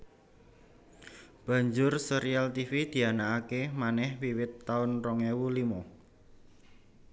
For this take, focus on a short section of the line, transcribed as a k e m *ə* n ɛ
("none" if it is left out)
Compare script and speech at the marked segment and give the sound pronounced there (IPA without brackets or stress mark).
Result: a